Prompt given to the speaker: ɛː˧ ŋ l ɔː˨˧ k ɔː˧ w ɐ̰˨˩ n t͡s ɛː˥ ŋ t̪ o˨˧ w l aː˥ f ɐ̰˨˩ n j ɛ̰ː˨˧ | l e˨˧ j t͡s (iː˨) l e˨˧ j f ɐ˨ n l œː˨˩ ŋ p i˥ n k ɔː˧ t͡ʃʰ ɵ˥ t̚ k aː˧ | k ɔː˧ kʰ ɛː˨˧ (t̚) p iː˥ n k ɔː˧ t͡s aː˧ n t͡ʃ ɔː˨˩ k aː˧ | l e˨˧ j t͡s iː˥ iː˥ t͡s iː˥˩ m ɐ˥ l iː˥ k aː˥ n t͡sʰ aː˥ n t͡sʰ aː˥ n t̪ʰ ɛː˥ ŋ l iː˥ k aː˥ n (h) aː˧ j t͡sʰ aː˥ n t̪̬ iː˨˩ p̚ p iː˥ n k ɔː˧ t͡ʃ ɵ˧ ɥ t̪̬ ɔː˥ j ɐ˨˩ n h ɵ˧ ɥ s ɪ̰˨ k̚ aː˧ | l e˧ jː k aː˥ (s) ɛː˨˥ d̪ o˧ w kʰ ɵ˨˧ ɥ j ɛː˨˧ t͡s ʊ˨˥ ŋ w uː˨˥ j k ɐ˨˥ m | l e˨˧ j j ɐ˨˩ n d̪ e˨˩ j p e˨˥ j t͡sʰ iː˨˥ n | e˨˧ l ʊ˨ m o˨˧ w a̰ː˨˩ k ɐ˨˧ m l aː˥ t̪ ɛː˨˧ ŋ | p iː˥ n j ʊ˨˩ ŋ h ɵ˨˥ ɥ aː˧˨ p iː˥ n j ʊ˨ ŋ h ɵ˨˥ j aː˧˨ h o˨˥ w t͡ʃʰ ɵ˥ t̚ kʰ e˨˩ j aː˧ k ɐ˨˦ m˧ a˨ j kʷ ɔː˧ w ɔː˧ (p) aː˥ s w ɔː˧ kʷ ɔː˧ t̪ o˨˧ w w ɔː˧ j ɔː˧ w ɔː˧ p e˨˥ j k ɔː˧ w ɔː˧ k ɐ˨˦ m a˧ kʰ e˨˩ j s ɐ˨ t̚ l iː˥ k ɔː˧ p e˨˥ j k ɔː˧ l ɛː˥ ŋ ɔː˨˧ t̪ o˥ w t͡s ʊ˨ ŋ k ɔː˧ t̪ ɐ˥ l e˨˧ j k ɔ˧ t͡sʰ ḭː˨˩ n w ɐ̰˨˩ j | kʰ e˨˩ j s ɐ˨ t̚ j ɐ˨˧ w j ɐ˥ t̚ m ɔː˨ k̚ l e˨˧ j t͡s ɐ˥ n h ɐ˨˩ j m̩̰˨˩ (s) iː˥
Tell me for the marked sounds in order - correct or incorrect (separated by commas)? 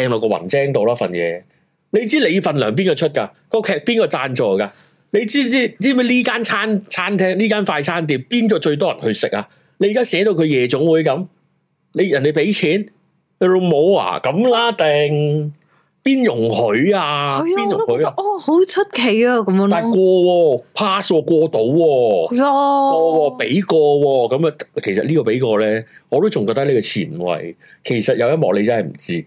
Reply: incorrect, incorrect, incorrect, correct, incorrect, incorrect